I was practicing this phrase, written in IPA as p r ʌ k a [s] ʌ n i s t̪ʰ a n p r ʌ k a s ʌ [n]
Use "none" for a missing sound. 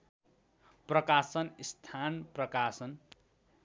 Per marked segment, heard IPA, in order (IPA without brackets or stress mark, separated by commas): s, n